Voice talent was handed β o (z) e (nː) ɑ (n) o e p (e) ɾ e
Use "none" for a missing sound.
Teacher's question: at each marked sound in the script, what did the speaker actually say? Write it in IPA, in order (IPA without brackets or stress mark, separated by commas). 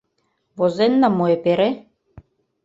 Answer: z, nː, m, e